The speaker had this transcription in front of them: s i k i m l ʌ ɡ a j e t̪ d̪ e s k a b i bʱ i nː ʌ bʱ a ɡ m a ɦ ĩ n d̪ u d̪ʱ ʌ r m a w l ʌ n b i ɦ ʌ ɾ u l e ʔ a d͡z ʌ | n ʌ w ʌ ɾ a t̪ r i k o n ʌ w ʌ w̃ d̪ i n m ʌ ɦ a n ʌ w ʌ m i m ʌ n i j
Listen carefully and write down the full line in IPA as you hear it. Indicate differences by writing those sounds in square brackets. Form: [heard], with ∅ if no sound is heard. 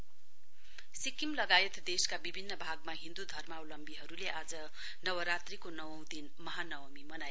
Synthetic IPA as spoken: s i k i m l ʌ ɡ a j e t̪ d̪ e s k a b i bʱ i nː ʌ bʱ a ɡ m a ɦ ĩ n d̪ u d̪ʱ ʌ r m a w l ʌ [m] b i ɦ ʌ ɾ u l e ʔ a d͡z ʌ | n ʌ w ʌ ɾ a t̪ r i k o n ʌ w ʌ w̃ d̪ i n m ʌ ɦ a n ʌ w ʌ m i m ʌ n [a] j